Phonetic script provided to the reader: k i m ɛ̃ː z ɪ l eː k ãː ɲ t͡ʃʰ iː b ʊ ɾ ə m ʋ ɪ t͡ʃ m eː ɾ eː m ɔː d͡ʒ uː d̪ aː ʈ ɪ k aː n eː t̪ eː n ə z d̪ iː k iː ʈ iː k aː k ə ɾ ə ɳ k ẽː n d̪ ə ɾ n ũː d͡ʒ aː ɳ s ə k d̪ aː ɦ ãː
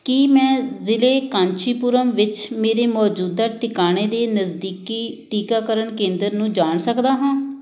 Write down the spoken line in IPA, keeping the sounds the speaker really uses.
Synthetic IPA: k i m ɛ̃ː z ɪ l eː k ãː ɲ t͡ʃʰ iː p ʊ ɾ ə m ʋ ɪ t͡ʃ m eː ɾ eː m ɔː d͡ʒ uː d̪ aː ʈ ɪ k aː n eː d̪ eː n ə z d̪ iː k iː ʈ iː k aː k ə ɾ ə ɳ k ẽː n d̪ ə ɾ n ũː d͡ʒ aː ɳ s ə k d̪ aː ɦ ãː